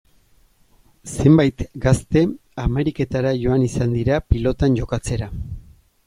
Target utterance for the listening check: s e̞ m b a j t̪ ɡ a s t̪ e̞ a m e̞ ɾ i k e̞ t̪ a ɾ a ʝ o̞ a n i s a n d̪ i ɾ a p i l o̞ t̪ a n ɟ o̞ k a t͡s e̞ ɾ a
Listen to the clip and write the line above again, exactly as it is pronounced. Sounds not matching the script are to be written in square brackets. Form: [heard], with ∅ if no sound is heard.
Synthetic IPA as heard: s e̞ m b a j t̪ ɡ a s t̪ e̞ a m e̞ ɾ i k e̞ t̪ a ɾ a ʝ o̞ a n i s a n d̪ i ɾ a p i l o̞ t̪ a n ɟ o̞ k a t͡s e̞ ɾ a

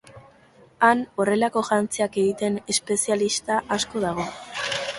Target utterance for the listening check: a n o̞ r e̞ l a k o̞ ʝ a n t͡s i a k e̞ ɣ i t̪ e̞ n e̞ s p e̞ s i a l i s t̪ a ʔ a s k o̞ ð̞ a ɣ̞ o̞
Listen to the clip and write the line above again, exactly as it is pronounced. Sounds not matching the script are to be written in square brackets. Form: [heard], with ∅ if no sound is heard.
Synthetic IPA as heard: a n o̞ r e̞ l a k o̞ ʝ a n t͡s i a k e̞ ɣ i t̪ e̞ n e̞ s p e̞ s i a l i s t̪ a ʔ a s k o̞ ð̞ a ɣ̞ o̞

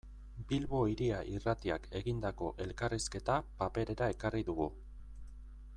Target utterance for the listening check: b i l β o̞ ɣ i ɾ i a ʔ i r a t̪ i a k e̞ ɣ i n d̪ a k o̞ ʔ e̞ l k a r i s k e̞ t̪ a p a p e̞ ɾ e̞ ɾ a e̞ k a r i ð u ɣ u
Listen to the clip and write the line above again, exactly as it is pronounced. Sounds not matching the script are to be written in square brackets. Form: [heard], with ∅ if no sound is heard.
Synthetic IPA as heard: b i l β o̞ [∅] i ɾ i a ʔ i r a t̪ i a k e̞ ɣ i n d̪ a k o̞ ʔ e̞ l k a r i s k e̞ t̪ a p a p e̞ ɾ e̞ ɾ a e̞ k a r i ð u ɣ u

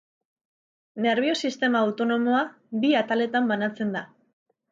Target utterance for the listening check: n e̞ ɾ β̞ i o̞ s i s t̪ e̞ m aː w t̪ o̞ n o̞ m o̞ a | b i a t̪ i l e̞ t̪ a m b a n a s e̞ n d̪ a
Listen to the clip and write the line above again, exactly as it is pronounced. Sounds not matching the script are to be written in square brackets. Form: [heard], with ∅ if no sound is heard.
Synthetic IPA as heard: n e̞ ɾ β̞ i o̞ s i s t̪ e̞ m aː w t̪ o̞ n o̞ m o̞ a | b i a t̪ [a] l e̞ t̪ a m b a n a [t͡s] e̞ n d̪ a

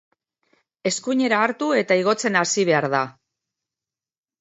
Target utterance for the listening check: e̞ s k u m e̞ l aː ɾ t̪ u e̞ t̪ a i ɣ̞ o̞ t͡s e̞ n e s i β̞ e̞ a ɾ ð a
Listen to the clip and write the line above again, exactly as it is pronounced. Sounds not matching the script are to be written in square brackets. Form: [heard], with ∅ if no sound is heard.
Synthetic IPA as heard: e̞ s k u [ɲ] e̞ [ɾ] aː ɾ t̪ u e̞ t̪ a i ɣ̞ o̞ t͡s e̞ n [a] s i β̞ e̞ a ɾ ð a

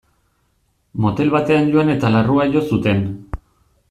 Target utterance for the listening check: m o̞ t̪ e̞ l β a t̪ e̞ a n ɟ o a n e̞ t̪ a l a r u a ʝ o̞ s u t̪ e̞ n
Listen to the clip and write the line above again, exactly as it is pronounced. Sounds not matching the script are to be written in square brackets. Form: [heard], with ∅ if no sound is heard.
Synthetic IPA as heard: m o̞ t̪ e̞ l β a t̪ e̞ a n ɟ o a n e̞ t̪ a l a r u a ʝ o̞ s u t̪ e̞ n

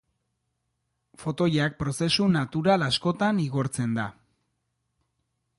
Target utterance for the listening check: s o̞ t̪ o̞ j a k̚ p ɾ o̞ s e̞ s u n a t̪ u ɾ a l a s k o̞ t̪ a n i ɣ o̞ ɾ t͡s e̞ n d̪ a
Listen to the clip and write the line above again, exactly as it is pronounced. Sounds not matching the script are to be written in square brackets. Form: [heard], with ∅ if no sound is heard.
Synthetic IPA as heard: [f] o̞ t̪ o̞ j a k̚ p ɾ o̞ s e̞ s u n a t̪ u ɾ a l a s k o̞ t̪ a n i ɣ o̞ ɾ t͡s e̞ n d̪ a

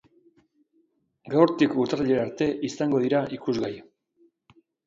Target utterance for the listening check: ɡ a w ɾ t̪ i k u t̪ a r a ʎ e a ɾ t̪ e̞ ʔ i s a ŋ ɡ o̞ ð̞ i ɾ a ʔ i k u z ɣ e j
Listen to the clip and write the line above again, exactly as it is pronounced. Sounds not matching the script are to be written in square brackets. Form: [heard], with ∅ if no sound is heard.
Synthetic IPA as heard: ɡ a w ɾ t̪ i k u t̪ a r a ʎ e a ɾ t̪ e̞ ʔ i s a ŋ ɡ o̞ ð̞ i ɾ a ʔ i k u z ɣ [a] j

